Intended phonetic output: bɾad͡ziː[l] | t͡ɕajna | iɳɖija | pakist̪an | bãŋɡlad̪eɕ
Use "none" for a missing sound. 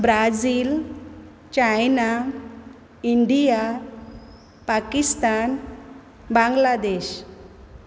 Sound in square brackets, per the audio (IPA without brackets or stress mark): l